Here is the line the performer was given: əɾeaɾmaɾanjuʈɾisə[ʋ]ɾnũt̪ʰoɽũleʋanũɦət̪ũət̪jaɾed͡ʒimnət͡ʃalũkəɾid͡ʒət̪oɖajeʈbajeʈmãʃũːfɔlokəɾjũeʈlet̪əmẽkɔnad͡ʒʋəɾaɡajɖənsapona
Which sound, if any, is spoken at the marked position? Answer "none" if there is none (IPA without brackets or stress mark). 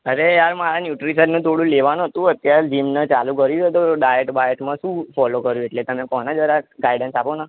none